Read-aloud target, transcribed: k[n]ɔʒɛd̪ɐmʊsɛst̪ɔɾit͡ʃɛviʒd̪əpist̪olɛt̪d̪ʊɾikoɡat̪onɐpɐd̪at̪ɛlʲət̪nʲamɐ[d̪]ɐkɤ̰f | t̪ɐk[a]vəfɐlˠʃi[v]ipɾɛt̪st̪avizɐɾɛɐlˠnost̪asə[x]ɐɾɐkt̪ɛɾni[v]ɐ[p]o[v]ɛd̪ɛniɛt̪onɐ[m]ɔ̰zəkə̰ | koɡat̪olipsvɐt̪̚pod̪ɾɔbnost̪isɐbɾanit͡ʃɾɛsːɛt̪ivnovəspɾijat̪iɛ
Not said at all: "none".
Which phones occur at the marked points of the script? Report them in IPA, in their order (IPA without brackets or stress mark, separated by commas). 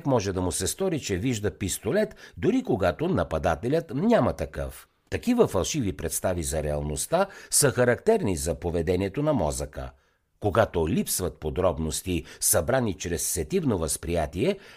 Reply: m, t̪, i, v, x, z, p, v, m